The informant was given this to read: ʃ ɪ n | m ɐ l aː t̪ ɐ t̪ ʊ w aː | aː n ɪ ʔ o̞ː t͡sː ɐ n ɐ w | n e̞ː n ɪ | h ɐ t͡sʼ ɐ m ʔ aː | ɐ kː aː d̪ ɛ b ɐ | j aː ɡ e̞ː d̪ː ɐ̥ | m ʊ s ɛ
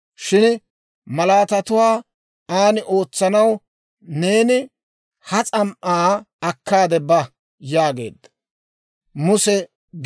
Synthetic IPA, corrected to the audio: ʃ ɪ n | m ɐ l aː t̪ ɐ t̪ ʊ w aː | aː n ɪ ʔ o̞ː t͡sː ɐ n ɐ w | n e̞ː n ɪ | h ɐ t͡sʼ ɐ m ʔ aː | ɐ kː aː d̪ ɛ b ɐ | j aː ɡ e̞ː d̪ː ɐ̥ | m ʊ s ɛ